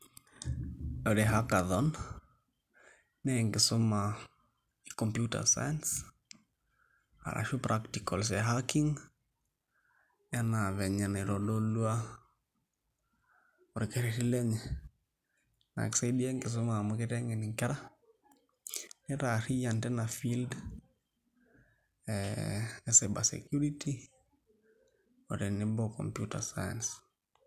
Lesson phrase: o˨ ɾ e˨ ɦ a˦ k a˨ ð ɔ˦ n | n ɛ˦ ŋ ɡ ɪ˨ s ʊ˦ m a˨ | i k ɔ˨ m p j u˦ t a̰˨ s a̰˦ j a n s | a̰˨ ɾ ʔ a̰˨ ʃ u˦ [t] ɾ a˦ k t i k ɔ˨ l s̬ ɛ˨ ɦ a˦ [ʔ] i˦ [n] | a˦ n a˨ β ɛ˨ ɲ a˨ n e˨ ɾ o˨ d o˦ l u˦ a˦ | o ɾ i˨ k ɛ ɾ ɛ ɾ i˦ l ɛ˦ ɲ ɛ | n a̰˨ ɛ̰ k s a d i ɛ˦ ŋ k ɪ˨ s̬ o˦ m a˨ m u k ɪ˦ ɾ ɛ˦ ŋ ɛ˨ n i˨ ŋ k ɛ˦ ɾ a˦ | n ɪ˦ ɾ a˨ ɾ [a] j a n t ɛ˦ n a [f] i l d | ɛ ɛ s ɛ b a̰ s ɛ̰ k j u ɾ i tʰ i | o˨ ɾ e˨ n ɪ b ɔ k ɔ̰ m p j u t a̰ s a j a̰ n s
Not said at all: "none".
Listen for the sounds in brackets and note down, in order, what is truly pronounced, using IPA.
p, k, ŋ, i, f

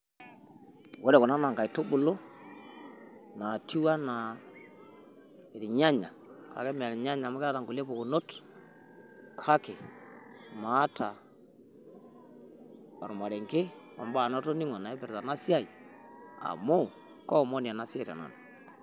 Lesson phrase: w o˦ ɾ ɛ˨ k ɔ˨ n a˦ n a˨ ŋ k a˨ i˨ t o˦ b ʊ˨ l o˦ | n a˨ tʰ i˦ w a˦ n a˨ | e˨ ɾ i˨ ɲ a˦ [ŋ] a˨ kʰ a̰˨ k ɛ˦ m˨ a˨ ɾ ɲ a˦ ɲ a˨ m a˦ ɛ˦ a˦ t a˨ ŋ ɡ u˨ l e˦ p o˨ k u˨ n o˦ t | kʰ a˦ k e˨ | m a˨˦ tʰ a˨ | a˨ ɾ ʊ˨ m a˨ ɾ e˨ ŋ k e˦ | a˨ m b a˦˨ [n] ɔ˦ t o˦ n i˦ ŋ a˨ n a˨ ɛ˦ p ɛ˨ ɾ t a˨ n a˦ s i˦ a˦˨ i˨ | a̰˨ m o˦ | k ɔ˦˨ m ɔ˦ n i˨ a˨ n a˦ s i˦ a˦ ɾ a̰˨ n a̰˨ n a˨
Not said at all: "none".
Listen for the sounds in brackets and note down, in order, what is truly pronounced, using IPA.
ɲ, n

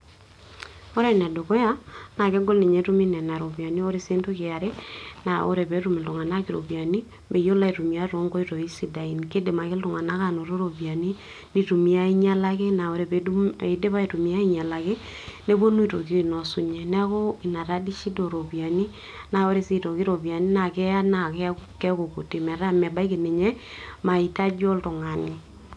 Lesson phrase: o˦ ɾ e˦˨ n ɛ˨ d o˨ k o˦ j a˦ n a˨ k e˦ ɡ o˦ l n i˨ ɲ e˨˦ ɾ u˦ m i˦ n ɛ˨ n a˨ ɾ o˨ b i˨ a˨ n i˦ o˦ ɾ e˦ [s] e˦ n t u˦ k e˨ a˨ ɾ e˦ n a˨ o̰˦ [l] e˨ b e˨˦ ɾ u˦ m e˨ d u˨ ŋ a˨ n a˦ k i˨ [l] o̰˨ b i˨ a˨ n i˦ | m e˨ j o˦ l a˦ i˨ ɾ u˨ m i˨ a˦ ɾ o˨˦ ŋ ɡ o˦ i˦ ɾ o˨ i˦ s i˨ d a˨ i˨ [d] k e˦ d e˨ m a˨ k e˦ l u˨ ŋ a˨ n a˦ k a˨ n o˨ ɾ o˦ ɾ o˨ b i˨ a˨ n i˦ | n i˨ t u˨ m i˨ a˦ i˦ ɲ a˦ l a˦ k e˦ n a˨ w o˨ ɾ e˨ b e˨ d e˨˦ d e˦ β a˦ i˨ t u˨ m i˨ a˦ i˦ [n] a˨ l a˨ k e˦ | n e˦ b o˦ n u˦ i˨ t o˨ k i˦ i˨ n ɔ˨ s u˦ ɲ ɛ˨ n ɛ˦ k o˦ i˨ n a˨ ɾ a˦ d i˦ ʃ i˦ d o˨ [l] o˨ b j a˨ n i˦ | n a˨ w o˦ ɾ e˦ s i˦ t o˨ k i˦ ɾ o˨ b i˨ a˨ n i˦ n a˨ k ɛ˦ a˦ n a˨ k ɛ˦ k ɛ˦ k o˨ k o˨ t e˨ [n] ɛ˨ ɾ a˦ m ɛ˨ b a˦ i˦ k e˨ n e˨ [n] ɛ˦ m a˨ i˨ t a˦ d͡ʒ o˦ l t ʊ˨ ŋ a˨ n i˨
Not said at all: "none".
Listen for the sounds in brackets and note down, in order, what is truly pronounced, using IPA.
s, ɾ, ɾ, n, ɲ, ɾ, m, ɲ

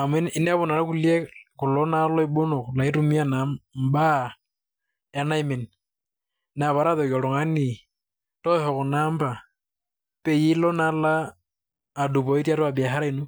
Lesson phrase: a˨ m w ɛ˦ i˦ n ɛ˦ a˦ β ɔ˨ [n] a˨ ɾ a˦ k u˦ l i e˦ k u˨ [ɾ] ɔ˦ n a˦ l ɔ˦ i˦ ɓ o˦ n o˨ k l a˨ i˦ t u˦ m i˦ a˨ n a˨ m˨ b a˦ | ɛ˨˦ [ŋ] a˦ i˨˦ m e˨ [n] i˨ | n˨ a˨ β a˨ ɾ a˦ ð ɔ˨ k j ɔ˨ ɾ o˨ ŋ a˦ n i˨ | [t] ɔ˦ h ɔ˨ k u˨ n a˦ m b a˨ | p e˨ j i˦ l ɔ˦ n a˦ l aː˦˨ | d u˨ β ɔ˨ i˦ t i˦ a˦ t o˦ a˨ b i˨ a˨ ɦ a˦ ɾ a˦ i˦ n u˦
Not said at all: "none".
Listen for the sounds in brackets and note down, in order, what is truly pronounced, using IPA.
n, l, n, n, t

